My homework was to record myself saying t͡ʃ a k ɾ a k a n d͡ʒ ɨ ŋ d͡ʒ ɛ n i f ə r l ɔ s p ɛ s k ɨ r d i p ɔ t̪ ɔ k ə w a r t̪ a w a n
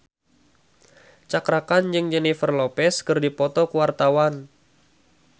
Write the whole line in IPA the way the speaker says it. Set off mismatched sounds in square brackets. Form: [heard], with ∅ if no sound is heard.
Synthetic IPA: t͡ʃ a k ɾ a k a n d͡ʒ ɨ ŋ d͡ʒ ɛ n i f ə r l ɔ [∅] p ɛ s k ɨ r d i p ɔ t̪ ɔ k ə w a r t̪ a w a n